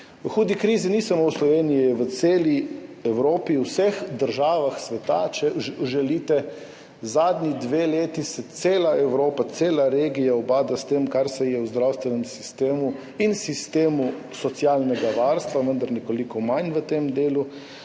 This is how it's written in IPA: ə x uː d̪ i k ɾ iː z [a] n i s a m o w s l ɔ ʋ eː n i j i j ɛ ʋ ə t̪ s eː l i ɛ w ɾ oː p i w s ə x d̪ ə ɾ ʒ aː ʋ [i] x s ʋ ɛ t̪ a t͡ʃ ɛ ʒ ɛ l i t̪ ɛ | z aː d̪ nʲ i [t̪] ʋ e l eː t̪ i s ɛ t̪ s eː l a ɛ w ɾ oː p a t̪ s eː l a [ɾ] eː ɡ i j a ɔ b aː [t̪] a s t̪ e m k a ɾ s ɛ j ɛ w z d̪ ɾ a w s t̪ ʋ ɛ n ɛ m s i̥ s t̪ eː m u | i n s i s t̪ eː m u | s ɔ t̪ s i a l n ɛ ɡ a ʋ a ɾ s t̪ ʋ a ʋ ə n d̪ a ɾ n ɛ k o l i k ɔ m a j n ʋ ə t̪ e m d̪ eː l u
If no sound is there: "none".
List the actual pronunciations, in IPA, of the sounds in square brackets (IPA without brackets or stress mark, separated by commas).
i, a, d̪, ɾ, d̪